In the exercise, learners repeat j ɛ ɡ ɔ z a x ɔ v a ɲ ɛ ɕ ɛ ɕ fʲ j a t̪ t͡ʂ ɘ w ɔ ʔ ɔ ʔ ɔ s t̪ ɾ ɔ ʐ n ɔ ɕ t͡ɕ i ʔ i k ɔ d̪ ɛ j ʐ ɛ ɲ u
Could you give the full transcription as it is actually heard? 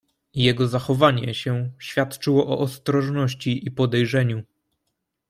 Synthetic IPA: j ɛ ɡ ɔ z a x ɔ v a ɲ ɛ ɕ ɛ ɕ fʲ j a t̪ t͡ʂ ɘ w ɔ ʔ ɔ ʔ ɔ s t̪ ɾ ɔ ʐ n ɔ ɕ t͡ɕ i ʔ i p ɔ d̪ ɛ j ʐ ɛ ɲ u